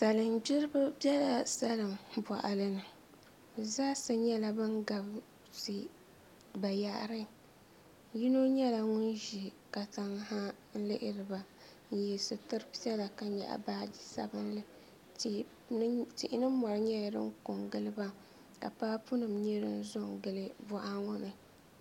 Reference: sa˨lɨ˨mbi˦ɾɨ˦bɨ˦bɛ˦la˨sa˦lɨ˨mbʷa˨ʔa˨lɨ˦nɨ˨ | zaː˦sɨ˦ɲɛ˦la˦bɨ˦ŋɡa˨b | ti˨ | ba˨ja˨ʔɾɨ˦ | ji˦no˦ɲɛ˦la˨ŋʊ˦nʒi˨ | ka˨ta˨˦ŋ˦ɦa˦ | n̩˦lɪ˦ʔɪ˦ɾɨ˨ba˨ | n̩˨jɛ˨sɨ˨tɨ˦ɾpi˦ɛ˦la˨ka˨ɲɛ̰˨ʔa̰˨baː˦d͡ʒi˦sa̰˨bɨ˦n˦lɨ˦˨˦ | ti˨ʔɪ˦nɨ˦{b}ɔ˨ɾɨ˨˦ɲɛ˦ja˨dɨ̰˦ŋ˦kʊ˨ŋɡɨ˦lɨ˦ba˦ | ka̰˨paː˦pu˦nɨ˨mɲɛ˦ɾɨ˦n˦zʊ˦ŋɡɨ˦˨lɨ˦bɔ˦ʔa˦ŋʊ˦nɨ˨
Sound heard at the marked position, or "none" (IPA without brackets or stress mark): m